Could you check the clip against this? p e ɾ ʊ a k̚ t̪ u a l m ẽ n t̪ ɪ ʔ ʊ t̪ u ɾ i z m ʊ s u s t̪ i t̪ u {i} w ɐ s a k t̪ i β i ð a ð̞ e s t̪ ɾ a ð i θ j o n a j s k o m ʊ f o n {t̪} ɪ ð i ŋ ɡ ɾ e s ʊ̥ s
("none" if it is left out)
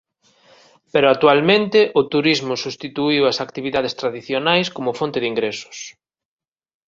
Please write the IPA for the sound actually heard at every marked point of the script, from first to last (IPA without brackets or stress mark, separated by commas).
i, t̪